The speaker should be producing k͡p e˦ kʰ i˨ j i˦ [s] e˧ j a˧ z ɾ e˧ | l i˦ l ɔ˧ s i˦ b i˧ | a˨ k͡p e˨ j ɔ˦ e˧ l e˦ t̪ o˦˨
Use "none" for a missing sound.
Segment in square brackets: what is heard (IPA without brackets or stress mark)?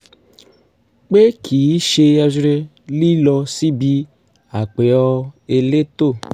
ʃ